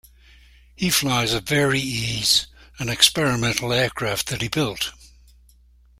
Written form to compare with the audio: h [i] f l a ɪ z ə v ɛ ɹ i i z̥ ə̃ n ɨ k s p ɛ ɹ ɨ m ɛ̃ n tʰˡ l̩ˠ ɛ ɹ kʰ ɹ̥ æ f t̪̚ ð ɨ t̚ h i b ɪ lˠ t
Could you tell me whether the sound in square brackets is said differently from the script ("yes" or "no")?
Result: no